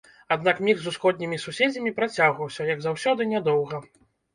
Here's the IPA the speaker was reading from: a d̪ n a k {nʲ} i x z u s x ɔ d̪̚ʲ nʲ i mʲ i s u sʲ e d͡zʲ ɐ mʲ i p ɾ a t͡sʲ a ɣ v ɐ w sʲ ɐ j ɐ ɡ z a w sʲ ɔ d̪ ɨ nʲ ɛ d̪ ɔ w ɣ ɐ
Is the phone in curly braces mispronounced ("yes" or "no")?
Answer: yes